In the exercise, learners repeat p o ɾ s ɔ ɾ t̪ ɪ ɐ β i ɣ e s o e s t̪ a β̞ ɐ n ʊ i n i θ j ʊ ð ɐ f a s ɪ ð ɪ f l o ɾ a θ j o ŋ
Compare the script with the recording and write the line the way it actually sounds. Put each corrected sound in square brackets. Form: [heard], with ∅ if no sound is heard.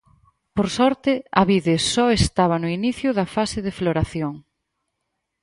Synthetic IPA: p o ɾ s ɔ ɾ t̪ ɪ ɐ β i [ð] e s [ɔ] e s t̪ a β̞ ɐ n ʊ i n i θ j ʊ ð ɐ f a s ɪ ð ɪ f l o ɾ a θ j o ŋ

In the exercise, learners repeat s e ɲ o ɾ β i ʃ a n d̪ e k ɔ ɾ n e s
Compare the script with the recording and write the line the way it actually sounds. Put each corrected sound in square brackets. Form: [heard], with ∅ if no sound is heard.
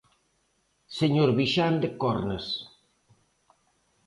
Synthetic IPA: s e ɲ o ɾ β i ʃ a n d̪ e k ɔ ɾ n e s

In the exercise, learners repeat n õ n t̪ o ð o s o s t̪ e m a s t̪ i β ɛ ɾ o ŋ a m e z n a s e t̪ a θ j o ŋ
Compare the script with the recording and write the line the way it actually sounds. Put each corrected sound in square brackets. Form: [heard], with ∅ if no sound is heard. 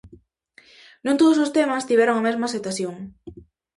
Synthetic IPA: n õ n t̪ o ð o s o s t̪ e m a s t̪ i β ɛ ɾ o ŋ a m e z [m] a s e t̪ a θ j o ŋ

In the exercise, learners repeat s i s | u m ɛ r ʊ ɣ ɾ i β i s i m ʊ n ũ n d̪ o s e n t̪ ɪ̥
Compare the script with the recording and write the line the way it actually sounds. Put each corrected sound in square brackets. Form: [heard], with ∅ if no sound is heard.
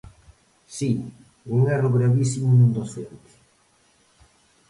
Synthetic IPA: s i [∅] | u [ŋ] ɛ r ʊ ɣ ɾ [a] β i s i m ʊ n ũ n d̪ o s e n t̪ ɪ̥

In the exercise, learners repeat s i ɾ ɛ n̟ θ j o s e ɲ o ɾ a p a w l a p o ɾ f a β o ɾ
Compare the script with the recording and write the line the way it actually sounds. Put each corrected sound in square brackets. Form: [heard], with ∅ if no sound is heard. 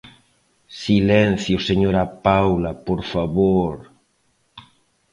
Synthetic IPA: s i [l] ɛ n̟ θ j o s e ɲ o ɾ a p a w l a p o ɾ f a β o ɾ

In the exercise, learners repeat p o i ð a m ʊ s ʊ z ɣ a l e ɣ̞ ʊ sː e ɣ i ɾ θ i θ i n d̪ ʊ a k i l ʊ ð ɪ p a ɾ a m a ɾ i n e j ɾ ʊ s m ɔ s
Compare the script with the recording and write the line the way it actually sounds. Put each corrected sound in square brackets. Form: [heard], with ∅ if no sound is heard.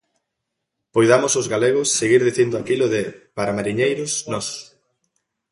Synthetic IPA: p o [j] ð a m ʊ s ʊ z ɣ a l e ɣ̞ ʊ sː e ɣ i ɾ [ð] i θ i n d̪ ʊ a k i l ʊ ð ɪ p a ɾ a m a ɾ i [ɲ] e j ɾ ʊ s [n] ɔ s

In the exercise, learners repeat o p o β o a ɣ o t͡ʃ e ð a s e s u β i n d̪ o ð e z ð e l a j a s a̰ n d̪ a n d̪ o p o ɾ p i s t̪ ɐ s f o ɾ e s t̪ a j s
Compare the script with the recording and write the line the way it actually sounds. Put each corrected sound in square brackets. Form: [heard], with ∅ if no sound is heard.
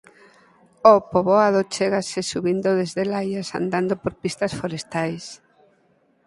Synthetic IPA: o p o β o a [ð] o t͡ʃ e [ɣ] a s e s u β i n d̪ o ð e z ð e l a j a s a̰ n d̪ a n d̪ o p o ɾ p i s t̪ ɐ s f o ɾ e s t̪ a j s

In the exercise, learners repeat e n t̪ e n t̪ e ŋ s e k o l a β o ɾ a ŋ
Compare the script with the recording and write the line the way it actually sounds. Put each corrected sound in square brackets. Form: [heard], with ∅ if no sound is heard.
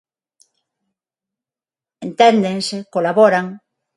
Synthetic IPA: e n t̪ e n [d̪] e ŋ s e k o l a β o ɾ a ŋ

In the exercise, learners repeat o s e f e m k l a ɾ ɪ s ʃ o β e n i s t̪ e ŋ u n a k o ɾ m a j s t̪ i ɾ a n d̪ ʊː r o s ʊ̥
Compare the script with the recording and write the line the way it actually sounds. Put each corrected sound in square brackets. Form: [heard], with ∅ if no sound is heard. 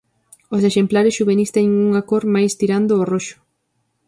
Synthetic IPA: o s e [ʃ] e m [p] l a ɾ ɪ s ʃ [u] β e n i s t̪ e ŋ u [ŋ] a k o ɾ m a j s t̪ i ɾ a n d̪ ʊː r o [ʃ] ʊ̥

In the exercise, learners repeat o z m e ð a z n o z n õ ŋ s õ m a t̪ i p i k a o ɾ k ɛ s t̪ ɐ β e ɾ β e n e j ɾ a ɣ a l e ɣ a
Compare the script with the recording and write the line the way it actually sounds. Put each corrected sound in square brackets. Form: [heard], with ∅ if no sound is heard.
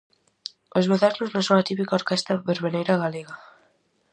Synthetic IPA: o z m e ð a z n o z n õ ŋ s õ [ŋ] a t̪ i p i k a o ɾ k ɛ s t̪ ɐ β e ɾ β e n e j ɾ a ɣ a l e ɣ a

